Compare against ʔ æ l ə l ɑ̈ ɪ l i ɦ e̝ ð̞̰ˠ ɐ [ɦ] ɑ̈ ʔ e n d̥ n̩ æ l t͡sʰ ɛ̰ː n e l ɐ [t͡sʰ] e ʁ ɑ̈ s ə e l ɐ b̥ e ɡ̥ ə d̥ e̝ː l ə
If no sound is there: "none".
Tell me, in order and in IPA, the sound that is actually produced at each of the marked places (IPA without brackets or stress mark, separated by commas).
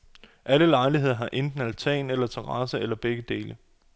ɦ, t͡sʰ